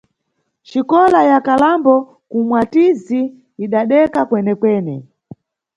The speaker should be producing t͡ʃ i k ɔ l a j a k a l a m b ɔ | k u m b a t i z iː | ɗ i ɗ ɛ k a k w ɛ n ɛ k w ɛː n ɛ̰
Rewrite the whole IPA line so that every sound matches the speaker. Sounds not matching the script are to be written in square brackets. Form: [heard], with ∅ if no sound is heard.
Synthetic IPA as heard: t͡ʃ i k ɔ l a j a k a l a m b ɔ | k u m [w] a t i z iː | ɗ [a] ɗ ɛ k a k w ɛ n ɛ k w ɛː n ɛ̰